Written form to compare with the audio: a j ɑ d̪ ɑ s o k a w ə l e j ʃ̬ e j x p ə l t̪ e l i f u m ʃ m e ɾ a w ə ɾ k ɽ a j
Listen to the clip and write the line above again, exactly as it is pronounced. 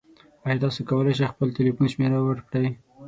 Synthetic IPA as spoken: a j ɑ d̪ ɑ s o k a w ə l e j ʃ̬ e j x p ə l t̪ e l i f u n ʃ m e ɾ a w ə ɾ k ɽ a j